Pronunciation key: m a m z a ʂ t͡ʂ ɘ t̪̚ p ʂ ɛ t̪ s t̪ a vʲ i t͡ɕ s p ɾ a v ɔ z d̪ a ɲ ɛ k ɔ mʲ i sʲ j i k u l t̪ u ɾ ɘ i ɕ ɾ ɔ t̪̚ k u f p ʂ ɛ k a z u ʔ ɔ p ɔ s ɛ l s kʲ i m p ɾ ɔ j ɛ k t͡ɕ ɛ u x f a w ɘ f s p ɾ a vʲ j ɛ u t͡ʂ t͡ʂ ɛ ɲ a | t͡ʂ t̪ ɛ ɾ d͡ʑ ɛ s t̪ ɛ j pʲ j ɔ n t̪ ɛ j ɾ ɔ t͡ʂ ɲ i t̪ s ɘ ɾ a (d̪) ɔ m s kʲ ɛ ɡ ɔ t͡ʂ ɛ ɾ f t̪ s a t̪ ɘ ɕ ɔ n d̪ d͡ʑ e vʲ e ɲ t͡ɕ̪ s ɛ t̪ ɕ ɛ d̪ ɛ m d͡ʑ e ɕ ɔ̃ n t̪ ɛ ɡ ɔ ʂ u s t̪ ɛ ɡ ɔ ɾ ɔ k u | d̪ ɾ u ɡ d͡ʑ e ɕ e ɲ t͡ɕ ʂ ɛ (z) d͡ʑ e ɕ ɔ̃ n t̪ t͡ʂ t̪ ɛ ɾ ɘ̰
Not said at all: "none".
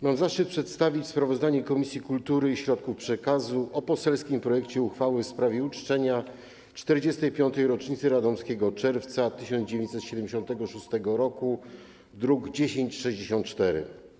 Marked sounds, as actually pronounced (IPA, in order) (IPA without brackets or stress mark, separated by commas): d̪, ʑ